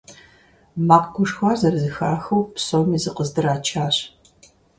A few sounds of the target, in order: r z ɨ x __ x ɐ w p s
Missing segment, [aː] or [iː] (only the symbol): aː